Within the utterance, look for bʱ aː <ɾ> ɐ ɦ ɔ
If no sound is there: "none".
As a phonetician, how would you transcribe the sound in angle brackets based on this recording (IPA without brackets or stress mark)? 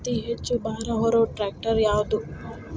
ɾ